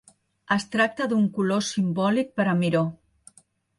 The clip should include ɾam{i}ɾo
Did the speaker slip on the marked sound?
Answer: no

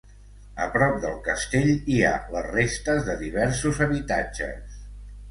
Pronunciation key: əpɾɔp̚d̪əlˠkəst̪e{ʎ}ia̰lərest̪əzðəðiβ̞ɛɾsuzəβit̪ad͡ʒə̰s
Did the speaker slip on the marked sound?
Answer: no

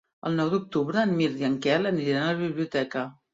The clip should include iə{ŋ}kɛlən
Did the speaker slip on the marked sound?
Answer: no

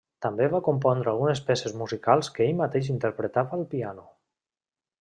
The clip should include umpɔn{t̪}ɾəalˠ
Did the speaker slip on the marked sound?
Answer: yes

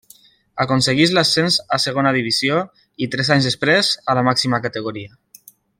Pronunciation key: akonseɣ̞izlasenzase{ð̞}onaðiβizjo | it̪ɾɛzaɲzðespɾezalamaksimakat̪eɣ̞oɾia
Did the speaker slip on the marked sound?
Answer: yes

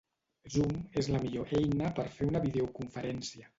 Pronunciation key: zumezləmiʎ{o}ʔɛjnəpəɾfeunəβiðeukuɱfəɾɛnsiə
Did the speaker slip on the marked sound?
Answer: no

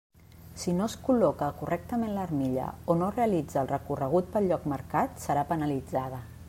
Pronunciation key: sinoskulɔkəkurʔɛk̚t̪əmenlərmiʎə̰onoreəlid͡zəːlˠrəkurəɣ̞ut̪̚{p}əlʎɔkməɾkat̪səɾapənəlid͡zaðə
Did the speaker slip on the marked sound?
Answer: no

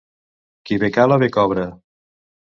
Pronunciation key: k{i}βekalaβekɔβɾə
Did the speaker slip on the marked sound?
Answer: no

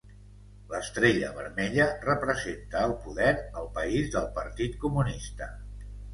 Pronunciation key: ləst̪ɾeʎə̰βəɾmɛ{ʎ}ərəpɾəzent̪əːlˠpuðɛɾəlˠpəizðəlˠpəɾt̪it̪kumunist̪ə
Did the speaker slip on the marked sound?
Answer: no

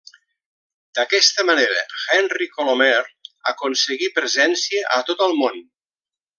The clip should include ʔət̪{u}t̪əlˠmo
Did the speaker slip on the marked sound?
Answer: yes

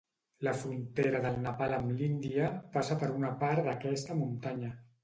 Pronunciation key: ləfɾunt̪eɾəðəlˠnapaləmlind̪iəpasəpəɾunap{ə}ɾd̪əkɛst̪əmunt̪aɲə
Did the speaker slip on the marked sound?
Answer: yes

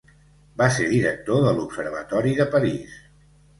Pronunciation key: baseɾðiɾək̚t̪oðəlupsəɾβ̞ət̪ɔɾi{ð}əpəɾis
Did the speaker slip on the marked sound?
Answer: no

